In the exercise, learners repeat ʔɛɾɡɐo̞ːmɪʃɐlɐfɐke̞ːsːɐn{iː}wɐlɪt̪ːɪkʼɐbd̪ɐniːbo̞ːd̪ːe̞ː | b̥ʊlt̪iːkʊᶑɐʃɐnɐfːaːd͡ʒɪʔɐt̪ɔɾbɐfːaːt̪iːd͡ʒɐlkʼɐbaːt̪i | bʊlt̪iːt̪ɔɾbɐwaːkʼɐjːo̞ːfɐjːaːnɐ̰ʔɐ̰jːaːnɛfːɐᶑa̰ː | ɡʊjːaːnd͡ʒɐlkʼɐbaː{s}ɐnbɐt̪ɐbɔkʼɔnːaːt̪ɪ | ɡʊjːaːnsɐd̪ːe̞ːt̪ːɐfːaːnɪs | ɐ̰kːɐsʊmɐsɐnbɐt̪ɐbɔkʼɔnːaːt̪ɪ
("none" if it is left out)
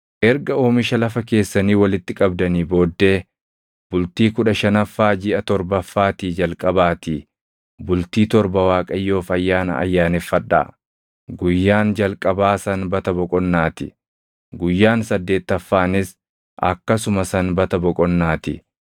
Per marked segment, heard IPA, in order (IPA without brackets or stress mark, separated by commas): iː, s